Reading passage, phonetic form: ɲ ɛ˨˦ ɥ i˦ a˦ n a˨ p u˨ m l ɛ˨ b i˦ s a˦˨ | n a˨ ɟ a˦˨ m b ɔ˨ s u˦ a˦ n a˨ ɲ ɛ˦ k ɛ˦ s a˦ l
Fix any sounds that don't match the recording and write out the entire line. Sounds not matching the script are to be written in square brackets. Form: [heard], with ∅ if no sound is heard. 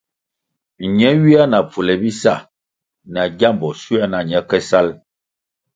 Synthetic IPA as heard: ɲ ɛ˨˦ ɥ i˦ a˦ n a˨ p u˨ [∅] l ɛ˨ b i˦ s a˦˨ | n a˨ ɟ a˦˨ m b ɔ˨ s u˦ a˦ n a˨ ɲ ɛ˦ k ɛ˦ s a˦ l